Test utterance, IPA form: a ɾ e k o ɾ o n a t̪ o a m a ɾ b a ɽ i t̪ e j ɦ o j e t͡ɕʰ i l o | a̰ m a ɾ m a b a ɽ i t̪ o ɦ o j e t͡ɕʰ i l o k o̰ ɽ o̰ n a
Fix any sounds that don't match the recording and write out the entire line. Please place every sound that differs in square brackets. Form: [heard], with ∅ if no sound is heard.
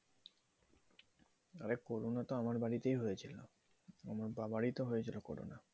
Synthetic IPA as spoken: a ɾ e k o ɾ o n a t̪ o a m a ɾ b a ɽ i t̪ e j ɦ o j e t͡ɕʰ i l o | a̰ m a ɾ [b] a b a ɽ i t̪ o ɦ o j e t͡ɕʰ i l o k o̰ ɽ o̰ n a

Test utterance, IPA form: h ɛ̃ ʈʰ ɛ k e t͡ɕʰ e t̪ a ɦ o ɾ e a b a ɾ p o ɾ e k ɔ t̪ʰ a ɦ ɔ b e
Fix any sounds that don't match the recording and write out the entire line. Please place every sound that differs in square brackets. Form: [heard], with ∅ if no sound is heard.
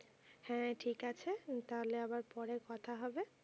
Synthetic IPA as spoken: h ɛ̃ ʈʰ [i] k [a] t͡ɕʰ e t̪ a ɦ o [l] e a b a ɾ p [ɔ] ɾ e k ɔ t̪ʰ a ɦ ɔ b e

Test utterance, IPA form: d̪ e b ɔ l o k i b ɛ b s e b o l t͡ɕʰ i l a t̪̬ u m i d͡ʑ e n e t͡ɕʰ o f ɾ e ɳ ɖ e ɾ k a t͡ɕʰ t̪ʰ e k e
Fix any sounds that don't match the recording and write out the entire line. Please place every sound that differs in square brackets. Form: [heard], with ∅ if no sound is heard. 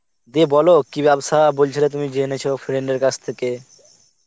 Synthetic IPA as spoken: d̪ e b ɔ l o k i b ɛ b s [a] b o l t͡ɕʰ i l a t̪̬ u m i d͡ʑ e n e t͡ɕʰ o f ɾ e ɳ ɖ e ɾ k a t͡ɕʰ t̪ʰ e k e

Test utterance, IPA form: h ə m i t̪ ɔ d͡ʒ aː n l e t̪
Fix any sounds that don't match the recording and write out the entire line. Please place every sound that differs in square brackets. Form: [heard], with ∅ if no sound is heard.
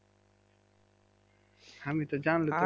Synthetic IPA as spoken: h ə m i t̪ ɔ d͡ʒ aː n l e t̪

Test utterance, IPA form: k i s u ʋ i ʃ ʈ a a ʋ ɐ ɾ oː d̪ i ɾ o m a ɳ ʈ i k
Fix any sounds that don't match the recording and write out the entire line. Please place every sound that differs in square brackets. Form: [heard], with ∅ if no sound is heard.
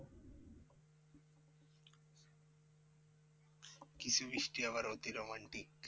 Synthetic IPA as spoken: k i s u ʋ i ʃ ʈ [i] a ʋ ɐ ɾ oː [t̪] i ɾ o m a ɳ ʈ i k

